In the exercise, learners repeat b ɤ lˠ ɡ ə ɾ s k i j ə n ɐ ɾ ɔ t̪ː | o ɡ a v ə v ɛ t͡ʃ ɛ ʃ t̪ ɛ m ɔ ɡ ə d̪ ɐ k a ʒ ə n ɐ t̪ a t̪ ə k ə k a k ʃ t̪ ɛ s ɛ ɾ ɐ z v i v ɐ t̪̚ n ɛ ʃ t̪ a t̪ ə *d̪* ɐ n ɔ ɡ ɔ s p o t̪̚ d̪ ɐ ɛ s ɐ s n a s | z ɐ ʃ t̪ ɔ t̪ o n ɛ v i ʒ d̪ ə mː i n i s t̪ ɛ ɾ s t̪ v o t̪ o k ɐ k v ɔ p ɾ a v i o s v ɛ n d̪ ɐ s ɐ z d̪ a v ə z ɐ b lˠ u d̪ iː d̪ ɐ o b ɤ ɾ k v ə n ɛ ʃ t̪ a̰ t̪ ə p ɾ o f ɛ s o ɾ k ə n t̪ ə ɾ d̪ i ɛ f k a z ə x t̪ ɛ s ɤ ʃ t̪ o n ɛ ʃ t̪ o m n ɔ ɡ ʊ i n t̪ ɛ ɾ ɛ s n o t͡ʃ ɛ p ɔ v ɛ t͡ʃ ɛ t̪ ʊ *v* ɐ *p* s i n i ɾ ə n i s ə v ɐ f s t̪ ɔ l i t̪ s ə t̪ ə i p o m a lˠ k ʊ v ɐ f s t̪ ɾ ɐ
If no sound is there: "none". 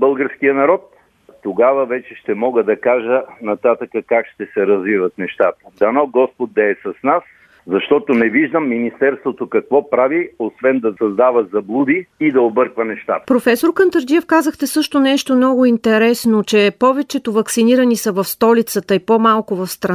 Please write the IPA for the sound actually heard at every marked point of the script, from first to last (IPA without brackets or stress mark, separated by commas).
d̪, v, k